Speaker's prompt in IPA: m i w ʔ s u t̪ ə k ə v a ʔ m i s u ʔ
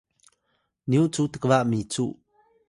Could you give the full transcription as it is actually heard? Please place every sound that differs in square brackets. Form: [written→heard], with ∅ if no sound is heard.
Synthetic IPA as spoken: [m→n] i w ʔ [s→t͡s] u t̪ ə k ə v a ʔ m i [s→t͡s] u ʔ

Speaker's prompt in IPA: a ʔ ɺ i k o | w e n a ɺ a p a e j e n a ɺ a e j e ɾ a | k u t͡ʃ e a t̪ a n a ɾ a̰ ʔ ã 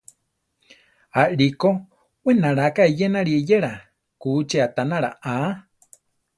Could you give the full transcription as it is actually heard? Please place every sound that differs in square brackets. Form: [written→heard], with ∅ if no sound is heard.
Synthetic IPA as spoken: a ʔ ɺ i k o | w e n a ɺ a [p→k] a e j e n a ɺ [a→i] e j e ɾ a | k u t͡ʃ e a t̪ a n a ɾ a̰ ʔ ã

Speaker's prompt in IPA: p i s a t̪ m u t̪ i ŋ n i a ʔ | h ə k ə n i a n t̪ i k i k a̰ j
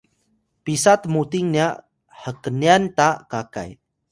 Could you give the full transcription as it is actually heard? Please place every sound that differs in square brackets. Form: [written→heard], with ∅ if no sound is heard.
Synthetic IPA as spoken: p i s a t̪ m u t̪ i ŋ n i a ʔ | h ə k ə n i a n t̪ [i→a] k [i→a] k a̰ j

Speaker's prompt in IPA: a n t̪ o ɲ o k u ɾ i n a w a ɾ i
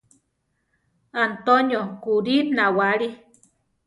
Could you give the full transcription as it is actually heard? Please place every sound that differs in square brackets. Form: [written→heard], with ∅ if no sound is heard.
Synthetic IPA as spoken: a n t̪ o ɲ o k u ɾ i n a w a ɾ i

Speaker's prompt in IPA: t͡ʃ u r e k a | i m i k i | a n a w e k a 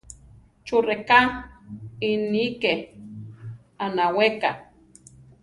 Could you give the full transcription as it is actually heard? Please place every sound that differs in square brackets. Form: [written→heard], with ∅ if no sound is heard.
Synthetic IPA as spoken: t͡ʃ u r e k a | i [m→n] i k [i→e] | a n a w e k a

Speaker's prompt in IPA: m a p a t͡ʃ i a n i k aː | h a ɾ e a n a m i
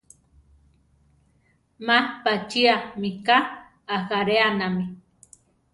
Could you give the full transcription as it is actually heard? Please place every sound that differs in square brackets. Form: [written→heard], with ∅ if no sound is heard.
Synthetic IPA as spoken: m a p a t͡ʃ i a [n→m] i k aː | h a ɾ e a n a m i

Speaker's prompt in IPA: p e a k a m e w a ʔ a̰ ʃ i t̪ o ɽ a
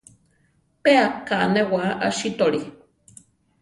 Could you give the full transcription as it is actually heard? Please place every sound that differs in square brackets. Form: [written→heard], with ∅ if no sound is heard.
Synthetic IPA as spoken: p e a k a [m→n] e w a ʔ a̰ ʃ i t̪ o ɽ [a→i]

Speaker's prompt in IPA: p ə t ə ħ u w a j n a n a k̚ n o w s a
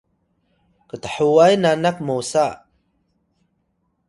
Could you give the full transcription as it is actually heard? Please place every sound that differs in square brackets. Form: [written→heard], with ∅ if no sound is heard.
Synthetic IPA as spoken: [p→k] ə t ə ħ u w a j n a n a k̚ [n→m] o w s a

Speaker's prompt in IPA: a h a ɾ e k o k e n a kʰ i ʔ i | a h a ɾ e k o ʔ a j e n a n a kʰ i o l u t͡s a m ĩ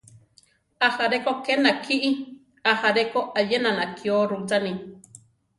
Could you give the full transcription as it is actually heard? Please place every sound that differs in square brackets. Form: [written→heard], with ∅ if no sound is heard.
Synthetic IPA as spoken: a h a ɾ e k o k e n a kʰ i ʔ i | a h a ɾ e k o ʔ a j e n a n a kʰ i o [l→ɾ] u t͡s a [m→n] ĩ

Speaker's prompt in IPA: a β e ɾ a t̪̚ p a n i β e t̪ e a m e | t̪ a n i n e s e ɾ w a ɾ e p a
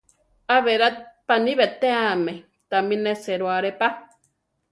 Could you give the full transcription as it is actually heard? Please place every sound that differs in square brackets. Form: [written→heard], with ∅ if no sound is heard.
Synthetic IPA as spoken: a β e ɾ a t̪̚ p a n i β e t̪ e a m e | t̪ a [n→m] i n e s e ɾ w a ɾ e p a

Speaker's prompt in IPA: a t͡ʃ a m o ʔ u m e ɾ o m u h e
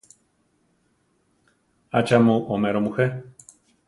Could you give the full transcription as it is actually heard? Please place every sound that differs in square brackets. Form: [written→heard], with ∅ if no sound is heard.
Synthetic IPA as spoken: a t͡ʃ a m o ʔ [u→o] m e ɾ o m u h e

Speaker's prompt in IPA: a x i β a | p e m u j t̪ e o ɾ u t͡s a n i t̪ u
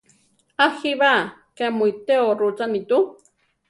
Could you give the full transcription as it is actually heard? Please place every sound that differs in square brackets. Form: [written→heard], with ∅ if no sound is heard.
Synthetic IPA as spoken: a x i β a | [p→k] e m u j t̪ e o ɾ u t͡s a n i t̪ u

